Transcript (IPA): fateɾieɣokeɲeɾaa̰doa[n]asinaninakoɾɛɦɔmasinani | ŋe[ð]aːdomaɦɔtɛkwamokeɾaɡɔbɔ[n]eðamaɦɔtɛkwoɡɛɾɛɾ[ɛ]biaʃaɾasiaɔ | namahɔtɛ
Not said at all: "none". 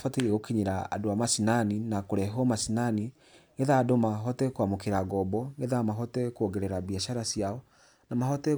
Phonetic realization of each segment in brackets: m, ð, ŋ, a

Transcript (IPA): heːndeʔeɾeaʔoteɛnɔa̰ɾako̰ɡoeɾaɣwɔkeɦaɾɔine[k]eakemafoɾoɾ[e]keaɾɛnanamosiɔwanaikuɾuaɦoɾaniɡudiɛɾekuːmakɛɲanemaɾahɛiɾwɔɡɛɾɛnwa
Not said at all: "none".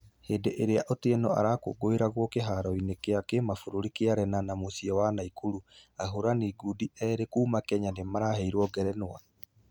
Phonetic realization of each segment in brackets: k, i

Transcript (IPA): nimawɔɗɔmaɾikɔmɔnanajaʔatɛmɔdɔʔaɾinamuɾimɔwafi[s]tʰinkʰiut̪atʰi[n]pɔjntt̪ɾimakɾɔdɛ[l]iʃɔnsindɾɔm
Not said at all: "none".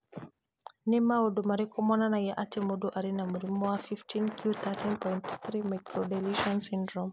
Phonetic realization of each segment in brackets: f, n, l

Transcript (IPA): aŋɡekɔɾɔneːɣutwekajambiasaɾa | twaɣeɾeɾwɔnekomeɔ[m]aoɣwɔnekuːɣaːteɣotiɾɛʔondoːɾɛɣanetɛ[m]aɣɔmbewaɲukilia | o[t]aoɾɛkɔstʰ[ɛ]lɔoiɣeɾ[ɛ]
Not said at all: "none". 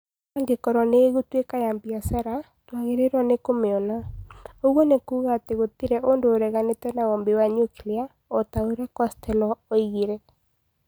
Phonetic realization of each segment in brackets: n, n, t, ɛ, ɛ

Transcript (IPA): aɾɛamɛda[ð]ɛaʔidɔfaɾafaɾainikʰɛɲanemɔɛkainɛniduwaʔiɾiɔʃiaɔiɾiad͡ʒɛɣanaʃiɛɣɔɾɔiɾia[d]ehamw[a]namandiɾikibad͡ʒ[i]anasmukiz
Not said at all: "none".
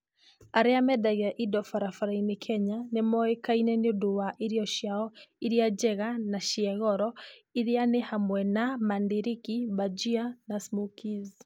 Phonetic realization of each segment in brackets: ɣ, n, ɛ, i

